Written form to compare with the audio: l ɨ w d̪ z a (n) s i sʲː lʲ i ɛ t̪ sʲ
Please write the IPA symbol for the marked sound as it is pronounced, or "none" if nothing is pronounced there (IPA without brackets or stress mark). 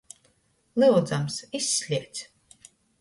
m